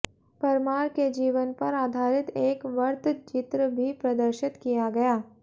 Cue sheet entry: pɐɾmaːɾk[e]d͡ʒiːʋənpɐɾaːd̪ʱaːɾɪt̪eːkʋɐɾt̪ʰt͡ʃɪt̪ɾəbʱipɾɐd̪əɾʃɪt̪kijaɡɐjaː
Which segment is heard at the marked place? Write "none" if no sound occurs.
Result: e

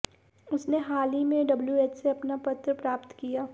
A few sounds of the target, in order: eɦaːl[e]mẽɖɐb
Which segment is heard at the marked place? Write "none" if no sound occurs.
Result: i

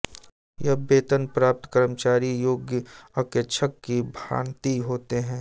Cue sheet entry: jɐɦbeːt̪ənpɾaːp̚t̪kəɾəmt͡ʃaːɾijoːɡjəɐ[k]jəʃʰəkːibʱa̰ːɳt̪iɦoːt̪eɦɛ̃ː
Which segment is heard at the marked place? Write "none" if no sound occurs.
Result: k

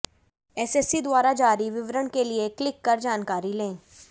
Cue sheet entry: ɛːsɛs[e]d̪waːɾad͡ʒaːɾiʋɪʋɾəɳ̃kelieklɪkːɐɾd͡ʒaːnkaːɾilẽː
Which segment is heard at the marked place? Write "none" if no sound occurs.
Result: i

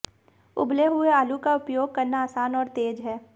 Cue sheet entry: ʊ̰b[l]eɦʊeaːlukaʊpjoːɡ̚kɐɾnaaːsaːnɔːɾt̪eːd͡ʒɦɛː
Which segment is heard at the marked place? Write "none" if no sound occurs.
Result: l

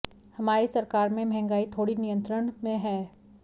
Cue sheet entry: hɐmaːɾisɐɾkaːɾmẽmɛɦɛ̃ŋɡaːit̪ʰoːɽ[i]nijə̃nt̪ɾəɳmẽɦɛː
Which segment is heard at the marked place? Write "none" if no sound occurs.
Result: i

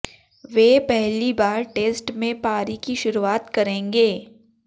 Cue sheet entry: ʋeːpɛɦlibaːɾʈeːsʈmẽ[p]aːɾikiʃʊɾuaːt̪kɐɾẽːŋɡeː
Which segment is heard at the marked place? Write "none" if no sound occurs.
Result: p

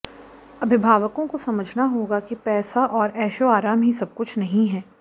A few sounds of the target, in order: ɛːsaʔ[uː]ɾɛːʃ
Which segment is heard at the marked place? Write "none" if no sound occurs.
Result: ɔː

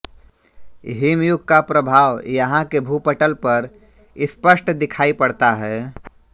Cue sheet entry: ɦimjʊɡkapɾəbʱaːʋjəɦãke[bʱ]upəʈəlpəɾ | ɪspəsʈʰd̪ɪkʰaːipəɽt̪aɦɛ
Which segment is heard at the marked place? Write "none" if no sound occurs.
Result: bʱ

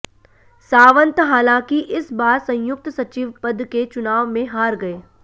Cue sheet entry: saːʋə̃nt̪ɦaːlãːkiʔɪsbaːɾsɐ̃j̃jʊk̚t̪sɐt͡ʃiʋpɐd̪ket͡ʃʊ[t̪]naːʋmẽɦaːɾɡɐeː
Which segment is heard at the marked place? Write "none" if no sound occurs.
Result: none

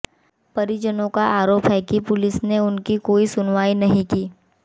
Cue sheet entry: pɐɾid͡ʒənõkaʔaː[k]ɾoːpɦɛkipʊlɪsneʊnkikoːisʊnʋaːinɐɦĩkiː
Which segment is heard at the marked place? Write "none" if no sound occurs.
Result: none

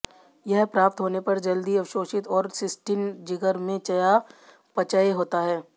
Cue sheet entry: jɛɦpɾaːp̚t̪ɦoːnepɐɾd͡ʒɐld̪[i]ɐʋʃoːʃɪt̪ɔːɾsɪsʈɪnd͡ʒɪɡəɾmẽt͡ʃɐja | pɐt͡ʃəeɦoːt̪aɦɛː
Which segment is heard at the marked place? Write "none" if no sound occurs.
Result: i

